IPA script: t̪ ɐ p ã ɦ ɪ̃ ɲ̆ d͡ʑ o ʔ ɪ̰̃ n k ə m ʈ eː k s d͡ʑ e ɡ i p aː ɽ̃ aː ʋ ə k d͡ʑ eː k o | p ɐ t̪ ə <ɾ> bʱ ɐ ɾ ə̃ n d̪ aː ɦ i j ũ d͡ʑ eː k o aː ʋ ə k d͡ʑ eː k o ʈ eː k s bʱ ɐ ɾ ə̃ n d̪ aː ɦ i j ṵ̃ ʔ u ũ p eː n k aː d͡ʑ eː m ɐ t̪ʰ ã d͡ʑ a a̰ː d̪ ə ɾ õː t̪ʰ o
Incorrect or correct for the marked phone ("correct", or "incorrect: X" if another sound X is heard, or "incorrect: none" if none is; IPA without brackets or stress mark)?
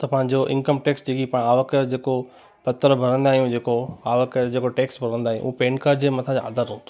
correct